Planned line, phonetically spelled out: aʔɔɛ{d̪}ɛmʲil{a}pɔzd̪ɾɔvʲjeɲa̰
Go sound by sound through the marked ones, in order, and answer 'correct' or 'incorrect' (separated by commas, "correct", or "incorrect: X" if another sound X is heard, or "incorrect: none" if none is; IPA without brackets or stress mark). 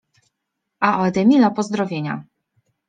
correct, correct